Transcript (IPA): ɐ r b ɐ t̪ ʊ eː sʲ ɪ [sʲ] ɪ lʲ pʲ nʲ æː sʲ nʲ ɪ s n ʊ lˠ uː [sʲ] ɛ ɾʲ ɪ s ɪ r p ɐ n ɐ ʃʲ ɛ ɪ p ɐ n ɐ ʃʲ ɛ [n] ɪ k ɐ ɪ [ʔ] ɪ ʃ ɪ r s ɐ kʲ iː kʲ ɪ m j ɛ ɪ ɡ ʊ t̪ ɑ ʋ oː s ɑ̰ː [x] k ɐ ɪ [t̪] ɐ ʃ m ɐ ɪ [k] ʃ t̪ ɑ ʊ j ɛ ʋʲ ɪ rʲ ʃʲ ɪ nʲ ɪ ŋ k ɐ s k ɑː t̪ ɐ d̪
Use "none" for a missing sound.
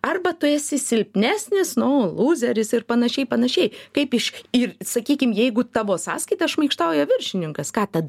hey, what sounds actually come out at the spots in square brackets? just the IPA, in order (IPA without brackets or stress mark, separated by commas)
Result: sʲ, zʲ, none, p, s, t̪, k